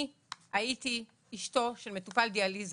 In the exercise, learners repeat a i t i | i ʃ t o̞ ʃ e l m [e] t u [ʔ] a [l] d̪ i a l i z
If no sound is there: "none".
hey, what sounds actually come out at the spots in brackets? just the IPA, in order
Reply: e, p, l

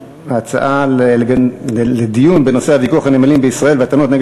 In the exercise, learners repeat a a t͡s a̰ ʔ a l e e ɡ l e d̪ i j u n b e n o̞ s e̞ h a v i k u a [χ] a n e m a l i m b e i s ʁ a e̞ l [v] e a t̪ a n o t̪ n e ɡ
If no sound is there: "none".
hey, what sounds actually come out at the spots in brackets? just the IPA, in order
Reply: χ, v

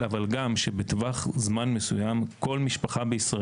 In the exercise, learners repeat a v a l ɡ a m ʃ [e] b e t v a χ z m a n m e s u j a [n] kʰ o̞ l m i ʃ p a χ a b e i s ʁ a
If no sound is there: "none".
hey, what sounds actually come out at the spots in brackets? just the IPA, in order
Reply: e, m

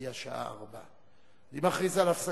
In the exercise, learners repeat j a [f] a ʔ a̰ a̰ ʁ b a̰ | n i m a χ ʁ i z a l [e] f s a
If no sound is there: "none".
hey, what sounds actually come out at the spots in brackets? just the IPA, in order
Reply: ʃ, a

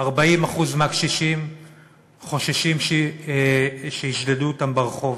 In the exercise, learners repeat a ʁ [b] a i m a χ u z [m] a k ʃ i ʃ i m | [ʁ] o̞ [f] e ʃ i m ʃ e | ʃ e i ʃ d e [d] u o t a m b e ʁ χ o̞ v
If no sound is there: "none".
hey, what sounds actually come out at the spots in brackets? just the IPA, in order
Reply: b, m, χ, ʃ, d

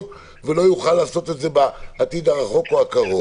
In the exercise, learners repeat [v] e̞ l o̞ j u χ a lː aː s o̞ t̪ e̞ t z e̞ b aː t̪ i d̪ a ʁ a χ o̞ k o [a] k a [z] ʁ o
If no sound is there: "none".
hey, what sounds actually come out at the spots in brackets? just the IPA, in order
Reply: v, a, none

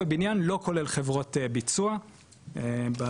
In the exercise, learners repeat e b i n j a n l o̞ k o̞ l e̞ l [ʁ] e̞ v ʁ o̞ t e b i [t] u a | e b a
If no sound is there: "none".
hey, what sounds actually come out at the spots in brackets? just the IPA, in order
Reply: χ, t͡s

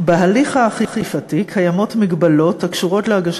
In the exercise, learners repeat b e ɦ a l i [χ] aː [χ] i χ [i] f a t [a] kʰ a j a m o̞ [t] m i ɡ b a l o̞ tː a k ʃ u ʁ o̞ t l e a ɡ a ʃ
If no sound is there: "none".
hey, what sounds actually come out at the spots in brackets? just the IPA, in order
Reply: χ, χ, i, i, t

